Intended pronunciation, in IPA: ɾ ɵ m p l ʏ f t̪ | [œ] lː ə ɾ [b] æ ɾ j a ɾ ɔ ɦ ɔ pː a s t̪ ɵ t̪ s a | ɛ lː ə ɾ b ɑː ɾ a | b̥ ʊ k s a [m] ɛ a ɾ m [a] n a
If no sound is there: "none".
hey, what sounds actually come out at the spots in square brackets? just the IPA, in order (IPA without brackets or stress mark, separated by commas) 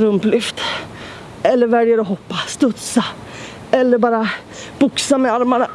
ɛ, v, m, a